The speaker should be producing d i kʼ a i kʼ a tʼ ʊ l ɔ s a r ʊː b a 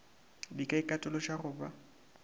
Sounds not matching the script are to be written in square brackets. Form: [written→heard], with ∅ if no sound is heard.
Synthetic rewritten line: d i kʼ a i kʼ a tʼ ʊ l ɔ [s→ʃ] a r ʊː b a